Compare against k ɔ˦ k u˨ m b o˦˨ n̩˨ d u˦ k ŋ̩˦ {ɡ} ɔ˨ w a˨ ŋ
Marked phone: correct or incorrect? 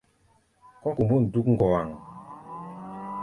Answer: correct